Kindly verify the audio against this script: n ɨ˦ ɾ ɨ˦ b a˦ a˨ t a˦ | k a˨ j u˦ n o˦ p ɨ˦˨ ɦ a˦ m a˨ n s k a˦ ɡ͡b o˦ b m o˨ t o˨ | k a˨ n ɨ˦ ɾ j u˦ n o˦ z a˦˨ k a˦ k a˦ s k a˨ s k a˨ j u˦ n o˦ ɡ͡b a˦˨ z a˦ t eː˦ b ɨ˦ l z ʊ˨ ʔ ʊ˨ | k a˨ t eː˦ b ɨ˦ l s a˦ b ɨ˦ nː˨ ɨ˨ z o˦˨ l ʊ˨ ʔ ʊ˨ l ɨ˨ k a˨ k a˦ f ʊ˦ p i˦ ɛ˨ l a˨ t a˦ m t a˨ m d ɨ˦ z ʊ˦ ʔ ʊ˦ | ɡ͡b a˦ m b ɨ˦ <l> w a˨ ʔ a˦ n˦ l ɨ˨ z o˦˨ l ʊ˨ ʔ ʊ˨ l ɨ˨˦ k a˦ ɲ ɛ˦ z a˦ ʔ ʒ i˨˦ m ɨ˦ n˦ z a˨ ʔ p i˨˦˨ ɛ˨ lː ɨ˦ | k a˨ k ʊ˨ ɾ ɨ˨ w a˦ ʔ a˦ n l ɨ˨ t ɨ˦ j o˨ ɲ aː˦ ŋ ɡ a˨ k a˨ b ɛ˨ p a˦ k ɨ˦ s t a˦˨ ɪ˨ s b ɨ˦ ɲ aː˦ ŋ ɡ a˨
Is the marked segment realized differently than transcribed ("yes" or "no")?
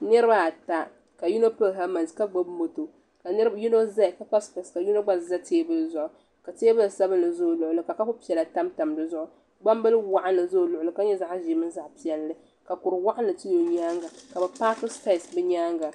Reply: no